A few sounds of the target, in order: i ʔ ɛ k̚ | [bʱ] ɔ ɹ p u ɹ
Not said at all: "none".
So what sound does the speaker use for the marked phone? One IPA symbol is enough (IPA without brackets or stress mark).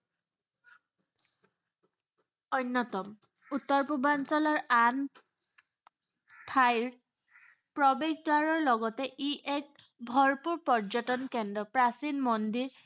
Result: bʱ